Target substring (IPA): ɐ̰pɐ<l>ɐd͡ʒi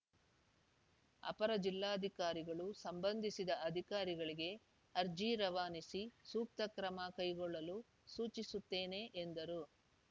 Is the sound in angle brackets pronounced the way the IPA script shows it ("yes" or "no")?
no